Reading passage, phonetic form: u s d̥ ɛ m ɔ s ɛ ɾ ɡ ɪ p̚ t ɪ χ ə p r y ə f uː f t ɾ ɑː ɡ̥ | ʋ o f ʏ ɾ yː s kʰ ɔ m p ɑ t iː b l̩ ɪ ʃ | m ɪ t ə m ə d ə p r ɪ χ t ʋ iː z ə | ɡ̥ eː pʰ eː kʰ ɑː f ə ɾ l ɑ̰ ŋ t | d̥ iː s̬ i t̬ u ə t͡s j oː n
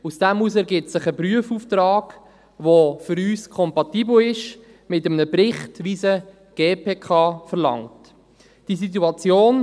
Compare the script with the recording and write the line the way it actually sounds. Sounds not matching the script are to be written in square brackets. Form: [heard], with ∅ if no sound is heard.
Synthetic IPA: u s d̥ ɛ m [u] s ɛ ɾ ɡ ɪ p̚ [s] ɪ χ ə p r y ə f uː f t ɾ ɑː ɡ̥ | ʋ o f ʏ ɾ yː s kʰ ɔ m p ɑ t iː b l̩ ɪ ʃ | m ɪ t ə m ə [n] ə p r ɪ χ t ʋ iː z ə | ɡ̥ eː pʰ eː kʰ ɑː f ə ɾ l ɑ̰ ŋ t | d̥ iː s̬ i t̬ u [ɑ] t͡s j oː n